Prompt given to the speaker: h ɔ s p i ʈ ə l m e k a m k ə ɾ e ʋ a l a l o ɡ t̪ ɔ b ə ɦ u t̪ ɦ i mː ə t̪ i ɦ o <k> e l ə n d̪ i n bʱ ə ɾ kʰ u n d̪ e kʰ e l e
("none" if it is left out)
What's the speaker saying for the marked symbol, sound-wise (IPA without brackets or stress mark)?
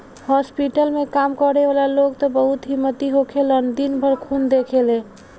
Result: kʰ